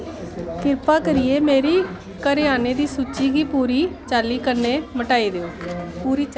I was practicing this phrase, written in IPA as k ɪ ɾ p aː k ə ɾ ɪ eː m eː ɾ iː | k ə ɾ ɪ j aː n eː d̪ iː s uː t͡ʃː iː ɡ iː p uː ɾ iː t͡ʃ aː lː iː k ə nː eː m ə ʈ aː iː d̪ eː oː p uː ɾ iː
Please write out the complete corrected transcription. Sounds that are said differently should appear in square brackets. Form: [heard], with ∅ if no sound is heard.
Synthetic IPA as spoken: k ɪ ɾ p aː k ə ɾ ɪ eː m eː ɾ iː | k ə ɾ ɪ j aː n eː d̪ iː s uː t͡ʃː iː ɡ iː p uː ɾ iː t͡ʃ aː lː iː k ə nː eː m ə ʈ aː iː d̪ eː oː p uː ɾ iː